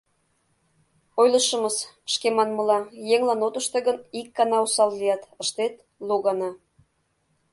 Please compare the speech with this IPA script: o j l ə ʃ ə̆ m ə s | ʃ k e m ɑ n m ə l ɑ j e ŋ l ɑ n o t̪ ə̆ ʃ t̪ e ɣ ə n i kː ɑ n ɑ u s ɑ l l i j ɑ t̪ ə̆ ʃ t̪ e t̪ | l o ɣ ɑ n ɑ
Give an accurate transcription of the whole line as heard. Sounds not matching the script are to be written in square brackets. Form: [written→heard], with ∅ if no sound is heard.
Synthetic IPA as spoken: o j l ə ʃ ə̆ m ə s | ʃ k e m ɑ n m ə l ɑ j e ŋ l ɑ n o t̪ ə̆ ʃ t̪ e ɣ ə n i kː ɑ n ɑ u s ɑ l l i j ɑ t̪ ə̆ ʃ t̪ e t̪ | l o ɣ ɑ n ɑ